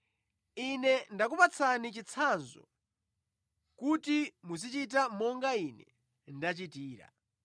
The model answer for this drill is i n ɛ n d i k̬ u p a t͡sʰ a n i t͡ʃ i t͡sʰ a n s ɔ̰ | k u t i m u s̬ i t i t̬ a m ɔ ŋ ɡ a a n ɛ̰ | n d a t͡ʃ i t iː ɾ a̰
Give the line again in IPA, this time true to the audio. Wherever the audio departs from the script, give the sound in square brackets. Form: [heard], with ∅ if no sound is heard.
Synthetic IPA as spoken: i n ɛ n d [a] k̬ u p a t͡sʰ a n i t͡ʃ i t͡sʰ a n [z] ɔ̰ | k u t i m u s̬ i [t͡ʃ] i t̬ a m ɔ ŋ ɡ a [i] n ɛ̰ | n d a t͡ʃ i t iː ɾ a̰

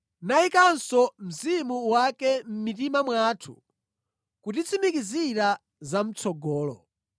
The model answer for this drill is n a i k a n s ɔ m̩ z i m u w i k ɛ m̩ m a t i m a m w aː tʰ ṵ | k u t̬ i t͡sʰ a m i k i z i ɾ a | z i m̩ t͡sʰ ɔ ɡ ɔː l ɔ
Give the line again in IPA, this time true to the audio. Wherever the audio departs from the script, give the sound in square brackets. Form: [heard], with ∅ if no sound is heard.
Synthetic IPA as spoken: n a i k a n s ɔ m̩ z i m u w [a] k ɛ m̩ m [i] t i m a m w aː tʰ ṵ | k u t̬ i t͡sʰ [i] m i k i z i ɾ a | z [a] m̩ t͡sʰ ɔ ɡ ɔː l ɔ

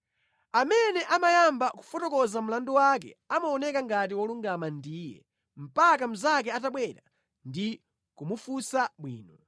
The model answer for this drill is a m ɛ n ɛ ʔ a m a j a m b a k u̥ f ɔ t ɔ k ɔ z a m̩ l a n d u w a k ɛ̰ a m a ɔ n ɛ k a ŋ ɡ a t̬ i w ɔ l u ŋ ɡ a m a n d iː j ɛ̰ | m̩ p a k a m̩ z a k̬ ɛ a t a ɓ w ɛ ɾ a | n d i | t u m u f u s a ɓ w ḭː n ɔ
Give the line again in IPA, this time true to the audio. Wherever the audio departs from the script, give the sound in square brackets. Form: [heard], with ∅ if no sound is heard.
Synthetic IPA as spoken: a m ɛ n ɛ ʔ a m a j a m b a k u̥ f ɔ t ɔ k ɔ z a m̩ l a n d u w a k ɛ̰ a m a ɔ n ɛ k a ŋ ɡ a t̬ i w ɔ l u ŋ ɡ a m a n d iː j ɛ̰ | m̩ p a k a m̩ z a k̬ ɛ a t a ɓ w ɛ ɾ a | n d i | [k] u m u f u s a ɓ w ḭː n ɔ

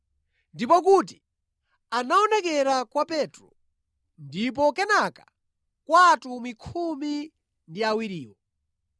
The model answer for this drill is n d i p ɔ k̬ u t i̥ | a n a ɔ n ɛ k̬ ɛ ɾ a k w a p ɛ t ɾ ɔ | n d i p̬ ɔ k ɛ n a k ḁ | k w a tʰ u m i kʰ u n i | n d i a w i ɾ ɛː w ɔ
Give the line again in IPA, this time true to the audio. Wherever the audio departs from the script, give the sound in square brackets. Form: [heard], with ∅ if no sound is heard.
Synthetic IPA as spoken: n d i p ɔ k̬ u t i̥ | a n a ɔ n ɛ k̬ ɛ ɾ a k w a p ɛ t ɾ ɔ | n d i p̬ ɔ k ɛ n a k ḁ | k w a [t] u m i kʰ u [m] i | n d i a w i ɾ [iː] w ɔ

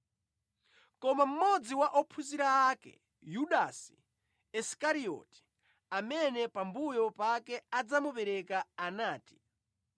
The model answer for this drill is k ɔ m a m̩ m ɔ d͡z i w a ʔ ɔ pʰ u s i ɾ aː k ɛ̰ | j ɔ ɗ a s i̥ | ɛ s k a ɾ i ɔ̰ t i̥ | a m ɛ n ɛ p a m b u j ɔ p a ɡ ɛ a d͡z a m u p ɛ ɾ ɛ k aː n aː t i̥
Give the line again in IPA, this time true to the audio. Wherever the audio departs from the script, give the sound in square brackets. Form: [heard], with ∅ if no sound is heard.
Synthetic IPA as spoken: k ɔ m a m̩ m ɔ d͡z i w a ʔ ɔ pʰ u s i ɾ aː k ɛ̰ | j [u] ɗ a s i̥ | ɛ s k a ɾ i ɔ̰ t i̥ | a m ɛ n ɛ p a m b u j ɔ p a [k] ɛ a d͡z a m u p ɛ ɾ ɛ k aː n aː t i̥

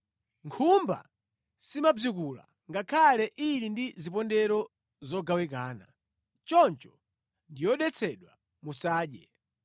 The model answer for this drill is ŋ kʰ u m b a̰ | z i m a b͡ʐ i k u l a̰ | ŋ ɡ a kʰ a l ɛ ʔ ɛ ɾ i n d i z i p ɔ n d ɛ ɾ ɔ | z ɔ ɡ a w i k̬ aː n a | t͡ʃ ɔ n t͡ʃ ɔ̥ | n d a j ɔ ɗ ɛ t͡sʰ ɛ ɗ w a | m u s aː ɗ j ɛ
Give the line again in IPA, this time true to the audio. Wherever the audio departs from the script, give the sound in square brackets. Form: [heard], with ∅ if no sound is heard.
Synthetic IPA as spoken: ŋ kʰ u m b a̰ | [s] i m a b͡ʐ i k u l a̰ | ŋ ɡ a kʰ a l ɛ ʔ [i] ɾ i n d i z i p ɔ n d ɛ ɾ ɔ | z ɔ ɡ a w i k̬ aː n a | t͡ʃ ɔ n t͡ʃ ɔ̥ | n d [i] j ɔ ɗ ɛ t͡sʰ ɛ ɗ w a | m u s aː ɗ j ɛ

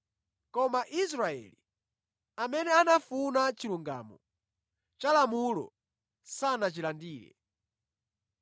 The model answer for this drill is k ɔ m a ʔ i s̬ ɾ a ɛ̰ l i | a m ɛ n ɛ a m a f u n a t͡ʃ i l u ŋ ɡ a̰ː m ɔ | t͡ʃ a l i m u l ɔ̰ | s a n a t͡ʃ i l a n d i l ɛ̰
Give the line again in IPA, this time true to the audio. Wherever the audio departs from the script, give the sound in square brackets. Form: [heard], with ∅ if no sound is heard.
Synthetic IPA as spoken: k ɔ m a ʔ i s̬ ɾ a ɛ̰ l i | a m ɛ n ɛ a [n] a f u n a t͡ʃ i l u ŋ ɡ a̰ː m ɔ | t͡ʃ a l [a] m u l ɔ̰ | s a n a t͡ʃ i l a n d [iː] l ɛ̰

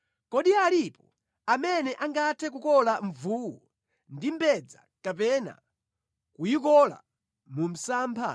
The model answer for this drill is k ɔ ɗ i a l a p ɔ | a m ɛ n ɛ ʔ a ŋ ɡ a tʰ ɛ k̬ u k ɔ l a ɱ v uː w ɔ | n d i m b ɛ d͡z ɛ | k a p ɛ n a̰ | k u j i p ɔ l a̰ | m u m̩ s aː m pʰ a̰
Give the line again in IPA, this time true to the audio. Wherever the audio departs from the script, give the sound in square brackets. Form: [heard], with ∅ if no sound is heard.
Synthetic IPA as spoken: k ɔ ɗ i a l [i] p ɔ | a m ɛ n ɛ ʔ a ŋ ɡ a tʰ ɛ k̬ u k ɔ l a ɱ v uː w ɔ | n d i m b ɛ d͡z [a] | k a p ɛ n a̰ | k u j i [k] ɔ l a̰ | m u m̩ s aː m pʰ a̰

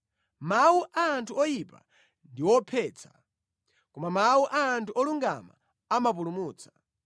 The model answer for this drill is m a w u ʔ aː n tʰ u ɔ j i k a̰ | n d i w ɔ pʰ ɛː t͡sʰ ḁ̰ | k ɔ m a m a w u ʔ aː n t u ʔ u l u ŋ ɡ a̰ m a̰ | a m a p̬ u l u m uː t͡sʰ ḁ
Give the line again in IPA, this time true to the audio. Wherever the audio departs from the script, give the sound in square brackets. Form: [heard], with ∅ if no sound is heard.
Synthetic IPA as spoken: m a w u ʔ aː n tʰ u ɔ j i [p] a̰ | n d i w ɔ pʰ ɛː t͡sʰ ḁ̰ | k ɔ m a m a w u ʔ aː n t u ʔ [ɔ] l u ŋ ɡ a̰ m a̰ | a m a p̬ u l u m uː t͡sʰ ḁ

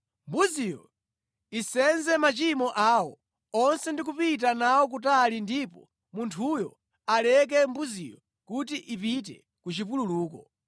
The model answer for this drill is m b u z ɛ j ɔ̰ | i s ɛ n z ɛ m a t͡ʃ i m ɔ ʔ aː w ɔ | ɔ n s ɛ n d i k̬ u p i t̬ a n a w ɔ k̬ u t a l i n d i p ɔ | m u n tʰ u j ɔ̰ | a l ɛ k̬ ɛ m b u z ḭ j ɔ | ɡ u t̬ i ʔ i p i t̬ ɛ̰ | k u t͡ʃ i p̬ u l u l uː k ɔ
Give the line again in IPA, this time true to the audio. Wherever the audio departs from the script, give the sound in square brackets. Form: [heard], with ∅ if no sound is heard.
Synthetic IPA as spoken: m b u z [i] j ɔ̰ | i s ɛ n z ɛ m a t͡ʃ i m ɔ ʔ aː w ɔ | ɔ n s ɛ n d i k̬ u p i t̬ a n a w ɔ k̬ u t a l i n d i p ɔ | m u n tʰ u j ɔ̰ | a l ɛ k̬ ɛ m b u z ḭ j ɔ | [k] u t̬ i ʔ i p i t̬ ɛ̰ | k u t͡ʃ i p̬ u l u l uː k ɔ

